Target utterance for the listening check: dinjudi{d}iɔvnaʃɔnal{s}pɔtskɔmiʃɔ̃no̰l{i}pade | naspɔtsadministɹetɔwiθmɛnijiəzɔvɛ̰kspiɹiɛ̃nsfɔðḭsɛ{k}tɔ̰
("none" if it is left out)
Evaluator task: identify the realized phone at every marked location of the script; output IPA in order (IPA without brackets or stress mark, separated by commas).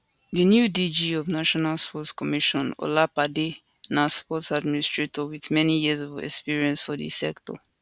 d͡ʒ, s, a, k